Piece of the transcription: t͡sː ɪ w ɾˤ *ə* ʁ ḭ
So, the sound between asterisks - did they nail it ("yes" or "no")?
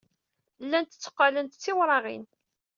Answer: no